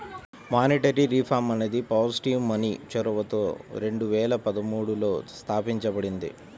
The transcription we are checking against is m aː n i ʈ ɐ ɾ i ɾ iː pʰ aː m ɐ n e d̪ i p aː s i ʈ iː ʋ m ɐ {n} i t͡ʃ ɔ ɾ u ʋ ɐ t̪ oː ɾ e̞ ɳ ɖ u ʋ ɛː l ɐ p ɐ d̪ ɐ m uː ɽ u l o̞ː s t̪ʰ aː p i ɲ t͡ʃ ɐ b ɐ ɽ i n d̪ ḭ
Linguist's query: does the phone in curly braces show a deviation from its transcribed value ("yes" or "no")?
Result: no